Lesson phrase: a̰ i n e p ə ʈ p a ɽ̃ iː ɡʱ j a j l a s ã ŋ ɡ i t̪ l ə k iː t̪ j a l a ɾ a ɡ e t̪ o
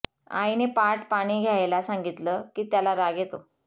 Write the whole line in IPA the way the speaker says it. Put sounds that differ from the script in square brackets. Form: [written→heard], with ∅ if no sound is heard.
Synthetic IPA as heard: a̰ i n e p [ə→a] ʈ p a ɽ̃ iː ɡʱ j a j l a s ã ŋ ɡ i t̪ l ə k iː t̪ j a l a ɾ a ɡ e t̪ o